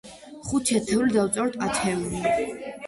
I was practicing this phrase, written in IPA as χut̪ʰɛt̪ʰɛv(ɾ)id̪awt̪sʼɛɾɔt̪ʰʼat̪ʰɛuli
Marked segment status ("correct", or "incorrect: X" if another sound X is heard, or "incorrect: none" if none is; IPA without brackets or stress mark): incorrect: l